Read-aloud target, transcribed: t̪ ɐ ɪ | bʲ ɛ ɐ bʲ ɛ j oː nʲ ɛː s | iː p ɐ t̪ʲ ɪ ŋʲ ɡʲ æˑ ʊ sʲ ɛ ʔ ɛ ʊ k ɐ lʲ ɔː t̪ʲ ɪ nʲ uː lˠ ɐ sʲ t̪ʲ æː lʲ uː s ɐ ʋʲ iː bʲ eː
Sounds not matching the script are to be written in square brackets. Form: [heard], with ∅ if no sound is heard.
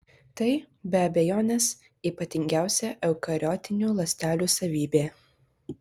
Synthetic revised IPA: t̪ ɐ ɪ | bʲ ɛ ɐ bʲ ɛ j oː nʲ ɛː s | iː p ɐ t̪ʲ ɪ ŋʲ ɡʲ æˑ ʊ sʲ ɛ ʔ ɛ ʊ k ɐ [ɾʲ] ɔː t̪ʲ ɪ nʲ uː lˠ ɐ sʲ t̪ʲ æː lʲ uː s ɐ ʋʲ iː bʲ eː

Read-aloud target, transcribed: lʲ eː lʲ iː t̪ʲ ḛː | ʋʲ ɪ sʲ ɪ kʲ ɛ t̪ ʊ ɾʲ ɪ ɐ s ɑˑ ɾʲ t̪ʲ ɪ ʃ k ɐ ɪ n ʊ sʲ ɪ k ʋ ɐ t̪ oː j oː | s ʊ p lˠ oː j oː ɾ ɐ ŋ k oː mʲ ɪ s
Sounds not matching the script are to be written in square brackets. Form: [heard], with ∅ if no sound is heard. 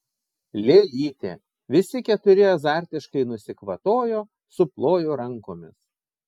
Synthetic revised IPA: lʲ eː lʲ iː t̪ʲ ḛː | ʋʲ ɪ sʲ ɪ kʲ ɛ t̪ ʊ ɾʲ ɪ ɐ [z] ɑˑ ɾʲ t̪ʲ ɪ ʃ k ɐ ɪ n ʊ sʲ ɪ k ʋ ɐ t̪ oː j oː | s ʊ p lˠ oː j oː ɾ ɐ ŋ k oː mʲ ɪ s

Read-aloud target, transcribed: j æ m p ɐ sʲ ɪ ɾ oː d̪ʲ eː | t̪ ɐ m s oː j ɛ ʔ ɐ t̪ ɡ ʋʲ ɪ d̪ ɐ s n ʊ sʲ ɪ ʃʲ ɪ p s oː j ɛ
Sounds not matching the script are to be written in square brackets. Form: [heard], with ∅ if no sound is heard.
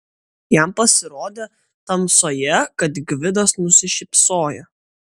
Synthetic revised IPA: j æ m p ɐ sʲ ɪ ɾ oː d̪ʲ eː | t̪ ɐ m s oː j ɛ [k] ɐ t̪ ɡ ʋʲ ɪ d̪ ɐ s n ʊ sʲ ɪ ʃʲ ɪ p s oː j ɛ

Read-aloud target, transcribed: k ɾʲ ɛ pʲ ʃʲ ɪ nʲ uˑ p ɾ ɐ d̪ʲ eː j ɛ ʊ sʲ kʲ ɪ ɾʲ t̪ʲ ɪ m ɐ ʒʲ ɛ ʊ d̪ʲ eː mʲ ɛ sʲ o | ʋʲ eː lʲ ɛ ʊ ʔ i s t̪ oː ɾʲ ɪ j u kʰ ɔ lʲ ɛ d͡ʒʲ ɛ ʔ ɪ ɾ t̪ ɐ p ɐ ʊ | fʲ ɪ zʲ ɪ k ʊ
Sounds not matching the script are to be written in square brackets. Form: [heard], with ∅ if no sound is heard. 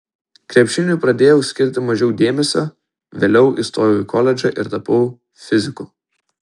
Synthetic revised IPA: k ɾʲ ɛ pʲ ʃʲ ɪ nʲ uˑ p ɾ ɐ d̪ʲ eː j ɛ ʊ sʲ kʲ ɪ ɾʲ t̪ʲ ɪ m ɐ ʒʲ ɛ ʊ d̪ʲ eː mʲ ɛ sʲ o | ʋʲ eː lʲ ɛ ʊ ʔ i s t̪ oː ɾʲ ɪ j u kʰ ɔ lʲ ɛ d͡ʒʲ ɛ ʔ ɪ ɾ t̪ ɐ p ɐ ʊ | fʲ ɪ zʲ ɪ k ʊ

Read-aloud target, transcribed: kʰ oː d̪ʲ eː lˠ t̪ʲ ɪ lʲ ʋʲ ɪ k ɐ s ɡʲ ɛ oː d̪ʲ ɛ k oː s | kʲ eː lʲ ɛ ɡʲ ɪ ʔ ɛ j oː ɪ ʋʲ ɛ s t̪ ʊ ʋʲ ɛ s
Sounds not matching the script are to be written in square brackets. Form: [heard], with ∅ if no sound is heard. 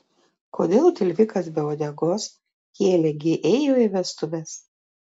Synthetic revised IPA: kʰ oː d̪ʲ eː lˠ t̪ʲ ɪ lʲ ʋʲ ɪ k ɐ s [bʲ] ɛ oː d̪ʲ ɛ [ɡ] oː s | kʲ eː lʲ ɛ ɡʲ ɪ ʔ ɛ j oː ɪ ʋʲ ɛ s t̪ ʊ ʋʲ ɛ s

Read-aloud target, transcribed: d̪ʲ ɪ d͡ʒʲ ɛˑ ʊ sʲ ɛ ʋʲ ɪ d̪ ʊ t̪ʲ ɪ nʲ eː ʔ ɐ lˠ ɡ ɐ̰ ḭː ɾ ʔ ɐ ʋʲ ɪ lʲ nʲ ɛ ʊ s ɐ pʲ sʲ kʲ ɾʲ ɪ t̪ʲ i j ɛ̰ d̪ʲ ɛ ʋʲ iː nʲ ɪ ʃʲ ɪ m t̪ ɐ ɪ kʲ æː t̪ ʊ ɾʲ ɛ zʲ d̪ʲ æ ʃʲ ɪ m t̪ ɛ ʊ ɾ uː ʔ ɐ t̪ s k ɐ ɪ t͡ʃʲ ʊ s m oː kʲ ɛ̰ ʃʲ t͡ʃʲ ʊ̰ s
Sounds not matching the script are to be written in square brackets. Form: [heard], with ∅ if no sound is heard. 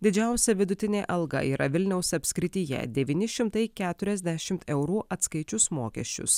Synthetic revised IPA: d̪ʲ ɪ d͡ʒʲ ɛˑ ʊ sʲ ɛ ʋʲ ɪ d̪ ʊ t̪ʲ ɪ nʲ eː ʔ ɐ lˠ ɡ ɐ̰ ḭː ɾ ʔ ɐ ʋʲ ɪ lʲ nʲ ɛ ʊ s ɐ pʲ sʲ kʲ ɾʲ ɪ t̪ʲ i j ɛ̰ d̪ʲ ɛ ʋʲ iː nʲ ɪ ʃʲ ɪ m t̪ ɐ ɪ kʲ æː t̪ ʊ ɾʲ ɛ zʲ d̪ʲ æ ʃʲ ɪ m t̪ ɛ ʊ ɾ uː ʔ ɐ t̪ s k ɐ ɪ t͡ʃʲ ʊ s m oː kʲ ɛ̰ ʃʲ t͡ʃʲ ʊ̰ s

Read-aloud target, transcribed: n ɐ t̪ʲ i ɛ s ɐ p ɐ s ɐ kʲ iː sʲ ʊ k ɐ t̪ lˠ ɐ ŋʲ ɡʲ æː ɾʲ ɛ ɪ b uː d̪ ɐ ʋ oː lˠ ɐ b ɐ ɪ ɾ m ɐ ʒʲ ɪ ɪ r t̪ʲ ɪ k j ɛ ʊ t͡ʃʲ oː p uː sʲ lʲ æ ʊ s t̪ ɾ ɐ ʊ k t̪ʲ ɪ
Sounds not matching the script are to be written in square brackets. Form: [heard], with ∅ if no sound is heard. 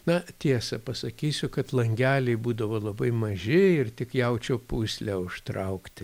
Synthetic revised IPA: n ɐ t̪ʲ i ɛ s ɐ p ɐ s ɐ kʲ iː sʲ ʊ k ɐ t̪ lˠ ɐ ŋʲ ɡʲ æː [lʲ] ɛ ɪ b uː d̪ ɐ ʋ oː lˠ ɐ b ɐ ɪ [∅] m ɐ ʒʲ ɪ ɪ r t̪ʲ ɪ k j ɛ ʊ t͡ʃʲ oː p uː sʲ lʲ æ ʊ [ʃ] t̪ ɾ ɐ ʊ k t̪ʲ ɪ

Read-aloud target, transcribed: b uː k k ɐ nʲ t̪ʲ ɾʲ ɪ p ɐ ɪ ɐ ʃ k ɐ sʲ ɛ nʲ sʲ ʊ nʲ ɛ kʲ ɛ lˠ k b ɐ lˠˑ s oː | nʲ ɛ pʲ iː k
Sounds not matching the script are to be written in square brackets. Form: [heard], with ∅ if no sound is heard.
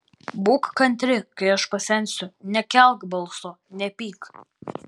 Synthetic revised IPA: b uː k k ɐ nʲ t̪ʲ ɾʲ ɪ [k] ɐ ɪ ɐ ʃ [p] ɐ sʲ ɛ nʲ sʲ ʊ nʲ ɛ kʲ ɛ lˠ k b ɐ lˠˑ s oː | nʲ ɛ pʲ iː k

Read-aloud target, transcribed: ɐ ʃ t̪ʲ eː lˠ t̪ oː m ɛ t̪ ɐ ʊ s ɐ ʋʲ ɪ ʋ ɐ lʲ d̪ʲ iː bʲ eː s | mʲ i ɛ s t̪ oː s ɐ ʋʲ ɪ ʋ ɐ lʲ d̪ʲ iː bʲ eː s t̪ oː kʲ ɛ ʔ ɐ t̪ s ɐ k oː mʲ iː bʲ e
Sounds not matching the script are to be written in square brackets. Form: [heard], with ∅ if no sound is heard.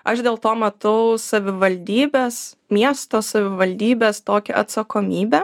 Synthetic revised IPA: ɐ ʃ [d̪ʲ] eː lˠ t̪ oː m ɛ t̪ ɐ ʊ s ɐ ʋʲ ɪ ʋ ɐ lʲ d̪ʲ iː bʲ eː s | mʲ i ɛ s t̪ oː s ɐ ʋʲ ɪ ʋ ɐ lʲ d̪ʲ iː bʲ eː s t̪ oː kʲ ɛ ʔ ɐ t̪ s ɐ k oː mʲ iː bʲ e

